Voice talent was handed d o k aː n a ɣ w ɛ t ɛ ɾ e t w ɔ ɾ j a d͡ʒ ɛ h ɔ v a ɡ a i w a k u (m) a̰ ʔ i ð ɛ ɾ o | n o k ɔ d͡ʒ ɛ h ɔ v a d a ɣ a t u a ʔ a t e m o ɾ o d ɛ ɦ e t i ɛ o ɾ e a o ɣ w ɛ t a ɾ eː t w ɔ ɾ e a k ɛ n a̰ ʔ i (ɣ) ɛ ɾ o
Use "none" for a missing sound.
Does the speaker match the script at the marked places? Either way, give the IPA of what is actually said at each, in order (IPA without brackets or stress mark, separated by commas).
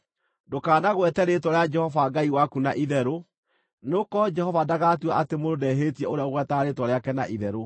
n, ð